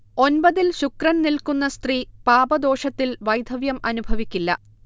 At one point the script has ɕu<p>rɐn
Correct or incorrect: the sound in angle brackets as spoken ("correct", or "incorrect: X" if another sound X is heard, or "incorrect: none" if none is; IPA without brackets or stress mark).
incorrect: k